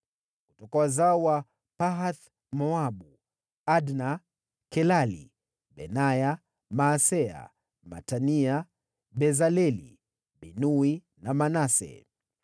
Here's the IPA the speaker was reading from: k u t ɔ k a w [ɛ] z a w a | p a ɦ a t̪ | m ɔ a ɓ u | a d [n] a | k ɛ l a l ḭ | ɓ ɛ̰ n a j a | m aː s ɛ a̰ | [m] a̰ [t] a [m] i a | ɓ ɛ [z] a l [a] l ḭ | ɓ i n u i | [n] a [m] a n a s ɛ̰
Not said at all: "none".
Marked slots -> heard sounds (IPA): a, n, m, t, n, z, ɛ, n, m

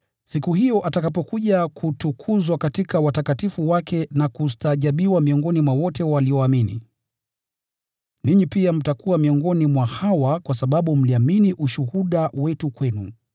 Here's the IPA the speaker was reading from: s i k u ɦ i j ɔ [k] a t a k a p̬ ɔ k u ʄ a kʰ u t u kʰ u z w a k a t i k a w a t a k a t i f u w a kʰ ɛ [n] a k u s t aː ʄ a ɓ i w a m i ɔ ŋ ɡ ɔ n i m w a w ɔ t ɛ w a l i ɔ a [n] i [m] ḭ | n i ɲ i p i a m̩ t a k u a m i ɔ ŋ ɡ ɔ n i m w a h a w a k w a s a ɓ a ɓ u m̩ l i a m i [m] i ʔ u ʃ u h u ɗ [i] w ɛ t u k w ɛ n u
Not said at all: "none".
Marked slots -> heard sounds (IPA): ʔ, n, m, n, n, a

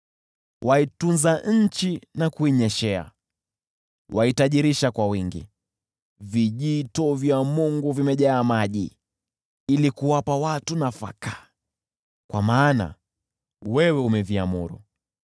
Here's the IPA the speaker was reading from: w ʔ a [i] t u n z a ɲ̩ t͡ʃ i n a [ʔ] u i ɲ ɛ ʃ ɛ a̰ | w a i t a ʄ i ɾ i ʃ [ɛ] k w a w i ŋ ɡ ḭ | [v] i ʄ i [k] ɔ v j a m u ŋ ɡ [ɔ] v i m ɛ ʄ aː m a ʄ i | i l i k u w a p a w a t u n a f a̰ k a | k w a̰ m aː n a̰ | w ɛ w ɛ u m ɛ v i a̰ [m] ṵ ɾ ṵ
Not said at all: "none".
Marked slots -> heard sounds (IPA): i, k, a, v, t, u, m

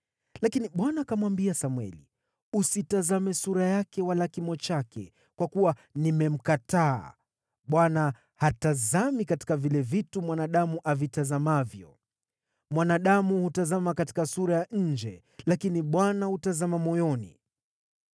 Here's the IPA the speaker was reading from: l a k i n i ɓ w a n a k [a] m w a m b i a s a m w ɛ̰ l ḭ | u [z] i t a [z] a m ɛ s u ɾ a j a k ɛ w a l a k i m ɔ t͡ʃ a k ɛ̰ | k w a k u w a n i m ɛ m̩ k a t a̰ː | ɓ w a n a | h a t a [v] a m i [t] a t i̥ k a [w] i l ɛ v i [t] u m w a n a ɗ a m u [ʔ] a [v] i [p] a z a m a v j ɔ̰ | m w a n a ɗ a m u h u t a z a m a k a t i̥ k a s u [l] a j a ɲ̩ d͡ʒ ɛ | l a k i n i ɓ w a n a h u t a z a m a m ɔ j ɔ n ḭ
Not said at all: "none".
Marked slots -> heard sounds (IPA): a, s, z, z, k, v, t, ʔ, v, t, ɾ

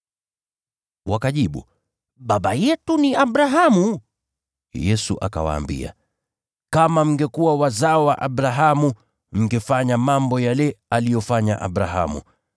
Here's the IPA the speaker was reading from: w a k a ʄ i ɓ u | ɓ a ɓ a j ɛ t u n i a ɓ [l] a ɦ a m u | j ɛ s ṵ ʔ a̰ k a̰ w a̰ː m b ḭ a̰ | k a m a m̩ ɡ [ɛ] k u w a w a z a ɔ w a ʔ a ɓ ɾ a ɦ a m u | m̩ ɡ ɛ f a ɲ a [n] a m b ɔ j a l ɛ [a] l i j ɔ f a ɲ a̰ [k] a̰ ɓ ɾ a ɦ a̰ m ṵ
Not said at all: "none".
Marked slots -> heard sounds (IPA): ɾ, ɛ, m, a, ʔ

